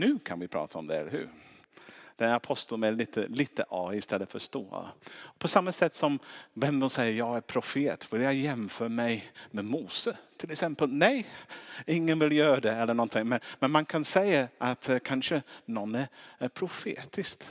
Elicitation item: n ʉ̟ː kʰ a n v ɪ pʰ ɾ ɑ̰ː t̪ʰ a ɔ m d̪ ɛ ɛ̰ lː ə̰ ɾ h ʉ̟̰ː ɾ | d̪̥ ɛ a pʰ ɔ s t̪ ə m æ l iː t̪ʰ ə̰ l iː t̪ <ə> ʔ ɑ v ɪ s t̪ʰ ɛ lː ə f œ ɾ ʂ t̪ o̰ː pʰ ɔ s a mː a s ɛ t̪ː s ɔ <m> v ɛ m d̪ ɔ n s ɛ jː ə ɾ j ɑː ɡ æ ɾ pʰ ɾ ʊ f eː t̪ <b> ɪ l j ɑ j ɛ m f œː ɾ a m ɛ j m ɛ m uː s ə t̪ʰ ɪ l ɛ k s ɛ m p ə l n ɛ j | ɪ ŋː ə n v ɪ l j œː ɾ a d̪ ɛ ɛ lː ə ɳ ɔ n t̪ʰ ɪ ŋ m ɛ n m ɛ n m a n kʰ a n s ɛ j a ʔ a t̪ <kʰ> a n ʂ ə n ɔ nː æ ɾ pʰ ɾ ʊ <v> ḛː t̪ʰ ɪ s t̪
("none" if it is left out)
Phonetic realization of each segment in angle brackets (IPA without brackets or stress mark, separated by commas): ə, m, v, kʰ, f